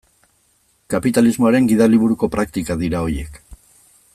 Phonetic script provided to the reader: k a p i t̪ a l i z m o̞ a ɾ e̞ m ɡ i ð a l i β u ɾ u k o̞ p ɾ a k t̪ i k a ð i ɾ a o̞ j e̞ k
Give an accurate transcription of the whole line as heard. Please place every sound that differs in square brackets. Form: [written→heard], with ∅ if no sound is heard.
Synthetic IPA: k a p i t̪ a l i z m o̞ a ɾ e̞ [m→ŋ] ɡ i ð a l i β u ɾ u k o̞ p ɾ a k t̪ i k a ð i ɾ a o̞ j e̞ k